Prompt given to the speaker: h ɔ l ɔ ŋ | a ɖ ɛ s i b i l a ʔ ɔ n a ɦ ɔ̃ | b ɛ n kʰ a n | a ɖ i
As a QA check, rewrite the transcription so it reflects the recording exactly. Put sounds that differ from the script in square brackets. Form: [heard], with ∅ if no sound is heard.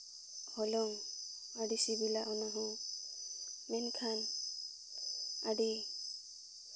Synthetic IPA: h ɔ l ɔ ŋ | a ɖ [i] s i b i l a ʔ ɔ n a ɦ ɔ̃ | [m] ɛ n kʰ a n | a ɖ i